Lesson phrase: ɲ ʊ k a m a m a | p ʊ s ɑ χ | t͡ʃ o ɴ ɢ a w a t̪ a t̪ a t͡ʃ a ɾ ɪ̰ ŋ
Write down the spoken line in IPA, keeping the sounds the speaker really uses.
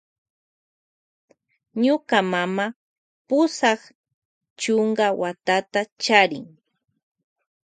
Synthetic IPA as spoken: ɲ ʊ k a m a m a | p ʊ s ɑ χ | t͡ʃ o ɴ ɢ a w a t̪ a t̪ a t͡ʃ a ɾ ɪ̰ ŋ